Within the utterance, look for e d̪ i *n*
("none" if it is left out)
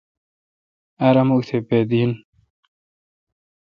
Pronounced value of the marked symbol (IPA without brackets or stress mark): n